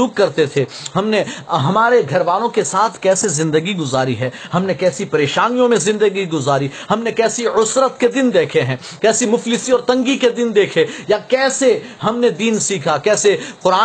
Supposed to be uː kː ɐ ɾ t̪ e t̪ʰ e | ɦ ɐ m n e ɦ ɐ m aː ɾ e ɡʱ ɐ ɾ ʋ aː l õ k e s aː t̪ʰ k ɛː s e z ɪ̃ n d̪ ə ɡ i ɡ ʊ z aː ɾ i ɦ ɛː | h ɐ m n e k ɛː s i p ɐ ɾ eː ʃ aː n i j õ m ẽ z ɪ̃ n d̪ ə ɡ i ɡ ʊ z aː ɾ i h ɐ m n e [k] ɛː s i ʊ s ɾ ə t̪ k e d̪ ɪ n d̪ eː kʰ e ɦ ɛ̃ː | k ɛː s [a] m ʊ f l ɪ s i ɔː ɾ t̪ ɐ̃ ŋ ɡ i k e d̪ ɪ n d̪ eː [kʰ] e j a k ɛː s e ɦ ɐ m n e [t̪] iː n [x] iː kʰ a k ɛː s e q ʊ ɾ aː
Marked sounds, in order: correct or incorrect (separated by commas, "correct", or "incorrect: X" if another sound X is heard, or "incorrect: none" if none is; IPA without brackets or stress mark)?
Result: correct, incorrect: i, correct, incorrect: d̪, incorrect: s